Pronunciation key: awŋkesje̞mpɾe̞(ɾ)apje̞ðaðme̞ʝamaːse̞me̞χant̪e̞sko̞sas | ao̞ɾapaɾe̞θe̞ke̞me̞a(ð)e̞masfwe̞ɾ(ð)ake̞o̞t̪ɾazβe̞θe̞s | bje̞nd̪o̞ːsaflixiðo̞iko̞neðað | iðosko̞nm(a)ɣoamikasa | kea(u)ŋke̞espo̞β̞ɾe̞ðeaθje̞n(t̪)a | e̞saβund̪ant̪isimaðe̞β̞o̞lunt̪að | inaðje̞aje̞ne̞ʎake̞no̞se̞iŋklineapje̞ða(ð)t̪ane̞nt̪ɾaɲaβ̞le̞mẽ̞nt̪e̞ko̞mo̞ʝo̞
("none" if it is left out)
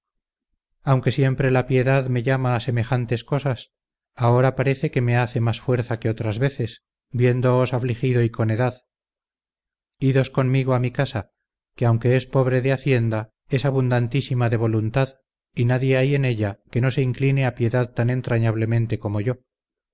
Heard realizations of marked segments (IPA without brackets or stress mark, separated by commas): l, θ, θ, i, w, d̪, ð